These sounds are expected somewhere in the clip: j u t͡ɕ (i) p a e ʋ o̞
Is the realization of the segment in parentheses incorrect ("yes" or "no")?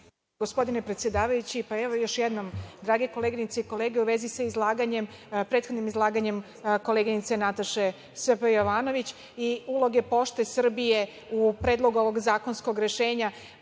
no